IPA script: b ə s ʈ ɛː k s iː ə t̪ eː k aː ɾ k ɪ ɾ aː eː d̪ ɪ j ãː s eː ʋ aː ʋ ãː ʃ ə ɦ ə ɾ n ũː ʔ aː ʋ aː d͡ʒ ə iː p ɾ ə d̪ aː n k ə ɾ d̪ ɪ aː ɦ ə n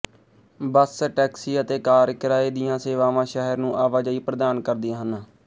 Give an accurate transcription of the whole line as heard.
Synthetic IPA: b ə s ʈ ɛː k s iː ə t̪ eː k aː ɾ k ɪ ɾ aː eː d̪ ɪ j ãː s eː ʋ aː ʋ ãː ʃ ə ɦ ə ɾ n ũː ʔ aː ʋ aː d͡ʒ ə iː p ɾ ə d̪ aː n k ə ɾ d̪ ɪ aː ɦ ə n